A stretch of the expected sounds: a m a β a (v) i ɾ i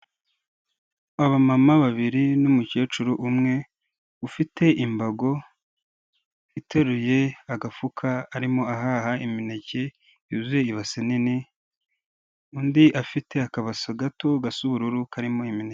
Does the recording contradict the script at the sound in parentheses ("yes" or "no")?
yes